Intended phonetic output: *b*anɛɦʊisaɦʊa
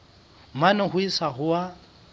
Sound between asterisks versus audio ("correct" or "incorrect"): incorrect